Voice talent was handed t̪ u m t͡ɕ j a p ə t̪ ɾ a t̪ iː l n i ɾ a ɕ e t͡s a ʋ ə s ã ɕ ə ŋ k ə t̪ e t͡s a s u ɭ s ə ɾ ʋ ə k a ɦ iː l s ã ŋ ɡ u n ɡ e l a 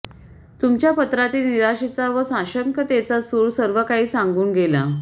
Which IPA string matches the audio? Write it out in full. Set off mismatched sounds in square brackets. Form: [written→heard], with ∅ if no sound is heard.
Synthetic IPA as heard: t̪ u m t͡ɕ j a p ə t̪ ɾ a t̪ iː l n i ɾ a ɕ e t͡s a ʋ ə s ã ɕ ə ŋ k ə t̪ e t͡s a s u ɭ s ə ɾ ʋ ə k a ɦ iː [l→∅] s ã ŋ ɡ [u→uː] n ɡ e l a